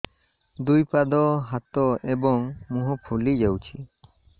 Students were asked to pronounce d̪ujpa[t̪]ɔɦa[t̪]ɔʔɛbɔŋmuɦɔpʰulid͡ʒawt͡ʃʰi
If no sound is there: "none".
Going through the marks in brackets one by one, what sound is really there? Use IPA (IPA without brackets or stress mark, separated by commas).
d̪, t̪